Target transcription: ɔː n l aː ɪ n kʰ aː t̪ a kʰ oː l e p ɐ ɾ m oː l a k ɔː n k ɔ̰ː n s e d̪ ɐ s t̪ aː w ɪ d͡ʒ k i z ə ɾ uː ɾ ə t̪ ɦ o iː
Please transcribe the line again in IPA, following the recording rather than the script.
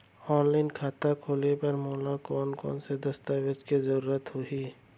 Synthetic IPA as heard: ɔː n l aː ɪ n kʰ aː t̪ a kʰ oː l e p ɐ ɾ m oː l a k ɔː n k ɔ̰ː n s e d̪ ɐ s t̪ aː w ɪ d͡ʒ k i z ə ɾ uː ɾ ə t̪ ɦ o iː